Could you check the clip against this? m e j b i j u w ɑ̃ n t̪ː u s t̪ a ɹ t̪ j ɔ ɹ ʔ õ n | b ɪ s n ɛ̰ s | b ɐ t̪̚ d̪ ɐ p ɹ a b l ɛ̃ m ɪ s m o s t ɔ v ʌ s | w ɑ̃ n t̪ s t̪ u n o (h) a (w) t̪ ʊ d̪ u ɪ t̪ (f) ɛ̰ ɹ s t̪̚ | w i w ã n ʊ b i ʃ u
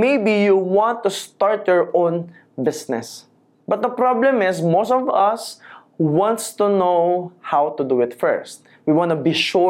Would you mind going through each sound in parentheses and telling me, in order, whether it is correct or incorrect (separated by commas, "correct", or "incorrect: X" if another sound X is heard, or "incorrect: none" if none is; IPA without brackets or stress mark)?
correct, correct, correct